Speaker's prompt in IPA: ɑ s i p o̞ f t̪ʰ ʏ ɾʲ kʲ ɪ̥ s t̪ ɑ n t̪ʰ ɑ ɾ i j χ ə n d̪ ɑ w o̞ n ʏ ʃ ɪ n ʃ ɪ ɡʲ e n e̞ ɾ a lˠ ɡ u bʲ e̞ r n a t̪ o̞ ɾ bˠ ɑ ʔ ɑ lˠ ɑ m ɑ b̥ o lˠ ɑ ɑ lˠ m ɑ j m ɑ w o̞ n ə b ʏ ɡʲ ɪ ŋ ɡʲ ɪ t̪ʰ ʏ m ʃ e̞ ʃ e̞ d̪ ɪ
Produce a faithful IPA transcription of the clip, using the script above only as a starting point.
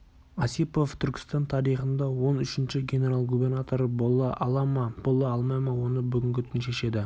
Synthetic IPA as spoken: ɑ s i p o̞ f t̪ʰ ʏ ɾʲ kʲ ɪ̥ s t̪ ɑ n t̪ʰ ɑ ɾ i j χ ə n d̪ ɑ w o̞ n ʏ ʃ ɪ n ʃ ɪ ɡʲ e n e̞ ɾ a lˠ ɡ u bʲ e̞ r n a t̪ o̞ ɾ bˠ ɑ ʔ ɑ lˠ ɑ m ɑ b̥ o lˠ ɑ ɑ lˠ m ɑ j m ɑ w o̞ n ə b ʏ ɡʲ ɪ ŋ ɡʲ ɪ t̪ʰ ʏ n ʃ e̞ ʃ e̞ d̪ ɪ